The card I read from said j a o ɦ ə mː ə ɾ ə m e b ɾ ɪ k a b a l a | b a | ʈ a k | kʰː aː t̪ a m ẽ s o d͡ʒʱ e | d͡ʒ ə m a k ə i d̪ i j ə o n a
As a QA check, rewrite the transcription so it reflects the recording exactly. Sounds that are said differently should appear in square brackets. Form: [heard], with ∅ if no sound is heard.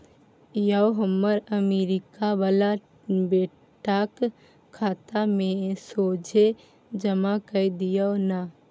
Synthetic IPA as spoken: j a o ɦ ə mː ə ɾ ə m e [∅] ɾ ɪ k a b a l a | b [e] | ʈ a k | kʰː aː t̪ a m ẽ s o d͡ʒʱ e | d͡ʒ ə m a k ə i d̪ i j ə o n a